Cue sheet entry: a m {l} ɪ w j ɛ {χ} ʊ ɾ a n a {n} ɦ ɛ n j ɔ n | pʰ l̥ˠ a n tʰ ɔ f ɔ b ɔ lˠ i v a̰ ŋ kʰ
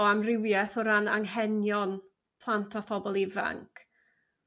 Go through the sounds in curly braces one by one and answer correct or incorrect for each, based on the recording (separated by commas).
incorrect, incorrect, incorrect